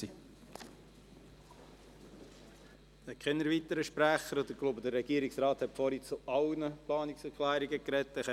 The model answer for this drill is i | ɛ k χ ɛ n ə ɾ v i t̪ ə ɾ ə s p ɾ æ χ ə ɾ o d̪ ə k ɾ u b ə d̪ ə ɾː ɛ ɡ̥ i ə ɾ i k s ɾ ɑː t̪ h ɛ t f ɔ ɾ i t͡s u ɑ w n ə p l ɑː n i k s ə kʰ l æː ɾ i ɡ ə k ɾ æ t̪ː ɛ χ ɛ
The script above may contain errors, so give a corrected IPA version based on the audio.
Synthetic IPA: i | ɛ k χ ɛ n ə ɾ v i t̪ ə ɾ ə ʃ p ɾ æ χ ə ɾ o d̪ ə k l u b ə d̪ ə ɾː ɛ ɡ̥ i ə ɾ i k s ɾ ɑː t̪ h ɛ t f ɔ ɾ i t͡s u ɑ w n ə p l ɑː n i k s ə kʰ l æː ɾ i ɡ ə k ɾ ɛ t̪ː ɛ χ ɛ